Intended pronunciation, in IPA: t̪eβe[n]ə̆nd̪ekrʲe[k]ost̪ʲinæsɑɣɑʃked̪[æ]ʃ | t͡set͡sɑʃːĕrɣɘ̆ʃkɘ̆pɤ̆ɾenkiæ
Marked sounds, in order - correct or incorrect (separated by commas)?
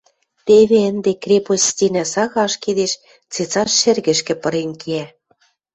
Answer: incorrect, incorrect, incorrect